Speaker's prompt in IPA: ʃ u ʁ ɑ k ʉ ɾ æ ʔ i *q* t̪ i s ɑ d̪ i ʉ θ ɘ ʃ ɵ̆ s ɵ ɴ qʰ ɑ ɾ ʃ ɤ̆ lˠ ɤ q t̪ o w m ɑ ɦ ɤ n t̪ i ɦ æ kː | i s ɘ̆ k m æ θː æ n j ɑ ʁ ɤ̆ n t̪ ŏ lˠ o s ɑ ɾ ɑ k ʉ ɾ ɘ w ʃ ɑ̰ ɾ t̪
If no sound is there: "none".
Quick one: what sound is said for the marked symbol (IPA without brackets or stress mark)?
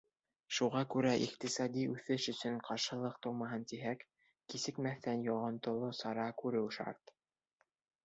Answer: q